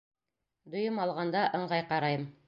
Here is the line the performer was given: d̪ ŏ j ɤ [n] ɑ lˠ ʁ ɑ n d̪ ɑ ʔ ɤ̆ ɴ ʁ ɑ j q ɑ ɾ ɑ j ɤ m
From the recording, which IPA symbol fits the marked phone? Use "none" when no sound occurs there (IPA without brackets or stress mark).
m